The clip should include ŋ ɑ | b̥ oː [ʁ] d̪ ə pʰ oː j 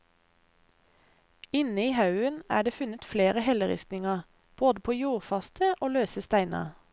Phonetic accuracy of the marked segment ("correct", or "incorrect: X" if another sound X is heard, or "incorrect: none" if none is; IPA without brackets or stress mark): incorrect: none